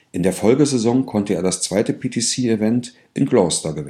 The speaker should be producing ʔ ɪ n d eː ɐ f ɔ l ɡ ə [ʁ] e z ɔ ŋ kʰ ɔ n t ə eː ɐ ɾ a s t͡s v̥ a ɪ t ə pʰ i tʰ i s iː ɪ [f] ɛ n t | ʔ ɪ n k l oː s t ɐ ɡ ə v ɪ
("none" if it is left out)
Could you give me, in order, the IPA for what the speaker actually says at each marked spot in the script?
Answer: z, v

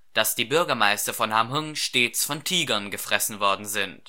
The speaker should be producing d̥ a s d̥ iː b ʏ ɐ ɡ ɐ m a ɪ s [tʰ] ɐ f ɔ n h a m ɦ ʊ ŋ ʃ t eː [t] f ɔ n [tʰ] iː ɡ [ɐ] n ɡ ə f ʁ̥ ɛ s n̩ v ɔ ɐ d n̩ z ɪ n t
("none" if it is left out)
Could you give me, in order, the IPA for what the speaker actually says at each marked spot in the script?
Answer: t, t͡s, tʰ, ɐ

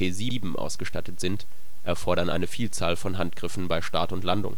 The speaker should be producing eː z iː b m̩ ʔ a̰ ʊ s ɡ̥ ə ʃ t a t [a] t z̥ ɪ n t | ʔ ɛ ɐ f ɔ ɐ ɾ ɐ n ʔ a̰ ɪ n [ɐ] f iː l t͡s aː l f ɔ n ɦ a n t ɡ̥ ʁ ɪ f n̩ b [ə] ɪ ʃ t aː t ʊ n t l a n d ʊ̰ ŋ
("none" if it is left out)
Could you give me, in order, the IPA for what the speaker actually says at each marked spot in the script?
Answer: ə, ə, a

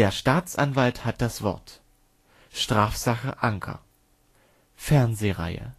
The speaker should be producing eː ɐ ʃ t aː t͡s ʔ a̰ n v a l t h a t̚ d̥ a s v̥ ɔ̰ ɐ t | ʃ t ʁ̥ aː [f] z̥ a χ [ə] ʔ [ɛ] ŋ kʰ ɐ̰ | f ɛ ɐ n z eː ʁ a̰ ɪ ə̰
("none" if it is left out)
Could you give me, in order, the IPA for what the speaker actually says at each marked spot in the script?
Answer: f, ə, a

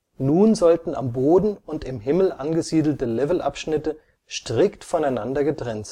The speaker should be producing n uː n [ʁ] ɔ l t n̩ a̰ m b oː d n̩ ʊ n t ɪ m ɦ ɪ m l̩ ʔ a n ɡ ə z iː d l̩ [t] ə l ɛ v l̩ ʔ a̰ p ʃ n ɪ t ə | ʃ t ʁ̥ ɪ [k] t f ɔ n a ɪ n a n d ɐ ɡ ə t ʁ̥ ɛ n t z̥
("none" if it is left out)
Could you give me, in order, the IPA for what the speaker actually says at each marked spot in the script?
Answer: z, t, k

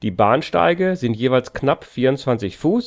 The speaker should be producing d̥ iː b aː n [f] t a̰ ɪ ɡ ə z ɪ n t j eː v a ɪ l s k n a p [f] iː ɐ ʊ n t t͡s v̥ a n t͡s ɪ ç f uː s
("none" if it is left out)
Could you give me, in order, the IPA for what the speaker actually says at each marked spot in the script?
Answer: ʃ, f

